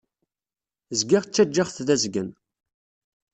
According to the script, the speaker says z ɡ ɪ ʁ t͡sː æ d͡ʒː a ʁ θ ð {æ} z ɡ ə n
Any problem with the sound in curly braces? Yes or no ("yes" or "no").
no